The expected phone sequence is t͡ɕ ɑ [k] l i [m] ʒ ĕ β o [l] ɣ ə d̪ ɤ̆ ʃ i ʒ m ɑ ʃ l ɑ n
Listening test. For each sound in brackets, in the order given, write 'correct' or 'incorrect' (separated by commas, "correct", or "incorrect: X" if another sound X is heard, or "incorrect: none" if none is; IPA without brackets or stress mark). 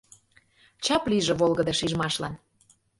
incorrect: p, incorrect: none, correct